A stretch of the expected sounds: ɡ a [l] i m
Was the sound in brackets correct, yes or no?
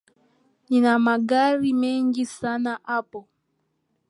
no